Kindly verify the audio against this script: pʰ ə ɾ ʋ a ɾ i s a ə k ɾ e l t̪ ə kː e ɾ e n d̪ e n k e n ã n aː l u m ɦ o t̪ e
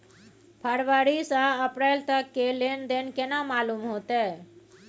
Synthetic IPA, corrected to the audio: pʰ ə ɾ ʋ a ɾ i s a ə p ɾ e l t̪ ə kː e l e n d̪ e n k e n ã m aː l u m ɦ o t̪ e